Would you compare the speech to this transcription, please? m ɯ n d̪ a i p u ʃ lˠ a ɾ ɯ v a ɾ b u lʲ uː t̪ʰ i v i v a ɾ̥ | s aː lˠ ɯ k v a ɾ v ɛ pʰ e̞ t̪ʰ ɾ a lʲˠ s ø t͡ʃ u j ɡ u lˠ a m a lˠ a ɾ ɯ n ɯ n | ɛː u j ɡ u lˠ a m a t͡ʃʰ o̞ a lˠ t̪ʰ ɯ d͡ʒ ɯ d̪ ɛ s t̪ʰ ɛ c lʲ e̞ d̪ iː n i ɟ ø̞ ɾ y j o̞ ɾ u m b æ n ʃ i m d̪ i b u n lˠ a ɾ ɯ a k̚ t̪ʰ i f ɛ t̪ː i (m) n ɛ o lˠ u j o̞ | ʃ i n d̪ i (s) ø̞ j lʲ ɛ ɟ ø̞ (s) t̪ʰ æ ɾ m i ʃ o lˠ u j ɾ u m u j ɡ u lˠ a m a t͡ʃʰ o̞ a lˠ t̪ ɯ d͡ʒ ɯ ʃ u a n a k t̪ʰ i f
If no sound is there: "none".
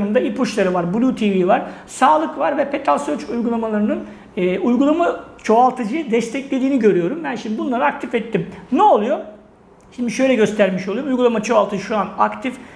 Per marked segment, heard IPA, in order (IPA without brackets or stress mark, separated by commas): m, ʃ, s